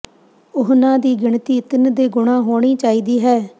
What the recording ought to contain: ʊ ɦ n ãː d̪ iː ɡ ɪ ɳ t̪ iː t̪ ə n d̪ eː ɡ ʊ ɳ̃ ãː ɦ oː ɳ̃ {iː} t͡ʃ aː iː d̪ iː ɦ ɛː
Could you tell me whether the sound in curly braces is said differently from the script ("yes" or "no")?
no